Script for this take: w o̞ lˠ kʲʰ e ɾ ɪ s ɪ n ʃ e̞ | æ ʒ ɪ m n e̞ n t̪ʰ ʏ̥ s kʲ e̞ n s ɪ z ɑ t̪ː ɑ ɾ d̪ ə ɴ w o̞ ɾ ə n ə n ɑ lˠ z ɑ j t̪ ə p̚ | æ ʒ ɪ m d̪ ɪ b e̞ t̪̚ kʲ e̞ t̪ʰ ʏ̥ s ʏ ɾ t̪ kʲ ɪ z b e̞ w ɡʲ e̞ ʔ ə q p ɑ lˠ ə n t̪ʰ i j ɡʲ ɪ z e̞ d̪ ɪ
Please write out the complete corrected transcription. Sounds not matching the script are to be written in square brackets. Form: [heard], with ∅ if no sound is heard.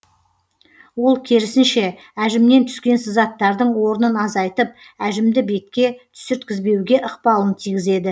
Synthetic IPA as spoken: w o̞ lˠ kʲʰ e ɾ ɪ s ɪ n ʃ e̞ | æ ʒ ɪ m n e̞ n t̪ʰ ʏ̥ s kʲ e̞ n s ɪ z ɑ t̪ː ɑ ɾ d̪ ə ɴ w o̞ ɾ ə n ə n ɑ [∅] z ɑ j t̪ ə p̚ | æ ʒ ɪ m d̪ ɪ b e̞ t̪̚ kʲ e̞ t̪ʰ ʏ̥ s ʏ ɾ t̪ kʲ ɪ z b e̞ w ɡʲ e̞ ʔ ə q p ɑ lˠ ə n t̪ʰ i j ɡʲ ɪ z e̞ d̪ ɪ

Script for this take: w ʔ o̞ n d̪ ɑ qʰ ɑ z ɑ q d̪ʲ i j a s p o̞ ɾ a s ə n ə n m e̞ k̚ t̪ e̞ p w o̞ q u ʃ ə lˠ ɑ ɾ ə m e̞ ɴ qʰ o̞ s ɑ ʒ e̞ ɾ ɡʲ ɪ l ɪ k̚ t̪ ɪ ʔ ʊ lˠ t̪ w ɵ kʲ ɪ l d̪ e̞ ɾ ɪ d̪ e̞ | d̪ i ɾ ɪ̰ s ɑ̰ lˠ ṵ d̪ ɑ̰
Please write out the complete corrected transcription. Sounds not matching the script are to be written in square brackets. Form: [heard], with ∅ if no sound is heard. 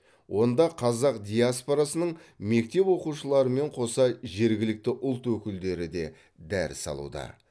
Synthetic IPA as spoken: w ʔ o̞ n d̪ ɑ qʰ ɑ z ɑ q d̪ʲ i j a s p o̞ ɾ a s ə n ə [ɴ] m e̞ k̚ t̪ e̞ p w o̞ q u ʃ ə lˠ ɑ ɾ ə m e̞ ɴ qʰ o̞ s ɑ ʒ e̞ ɾ ɡʲ ɪ l ɪ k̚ t̪ ɪ ʔ ʊ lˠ t̪ w ɵ kʲ ɪ l d̪ e̞ ɾ ɪ d̪ e̞ | d̪ [æ] ɾ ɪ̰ s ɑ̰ lˠ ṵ d̪ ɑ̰

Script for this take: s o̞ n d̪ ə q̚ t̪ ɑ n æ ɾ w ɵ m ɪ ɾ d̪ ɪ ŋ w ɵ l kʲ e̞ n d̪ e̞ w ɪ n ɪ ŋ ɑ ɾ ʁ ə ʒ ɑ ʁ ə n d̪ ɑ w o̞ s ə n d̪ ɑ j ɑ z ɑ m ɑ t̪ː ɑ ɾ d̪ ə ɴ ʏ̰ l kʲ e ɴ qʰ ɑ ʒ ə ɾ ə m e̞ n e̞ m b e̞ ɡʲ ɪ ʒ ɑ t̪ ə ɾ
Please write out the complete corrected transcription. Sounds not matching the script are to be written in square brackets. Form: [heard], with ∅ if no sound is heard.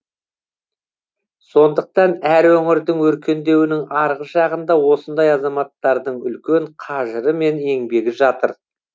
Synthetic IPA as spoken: s o̞ n d̪ ə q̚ t̪ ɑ n æ ɾ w ɵ [ŋ] ɪ ɾ d̪ ɪ ŋ w ɵ [ɾ] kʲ e̞ n d̪ e̞ w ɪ n ɪ ŋ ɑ ɾ ʁ ə ʒ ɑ ʁ ə n d̪ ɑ w o̞ s ə n d̪ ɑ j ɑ z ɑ m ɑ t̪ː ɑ ɾ d̪ ə ɴ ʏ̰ l kʲ e ɴ qʰ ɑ ʒ ə ɾ ə m e̞ n e̞ [ŋ] b e̞ ɡʲ ɪ ʒ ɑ t̪ ə ɾ

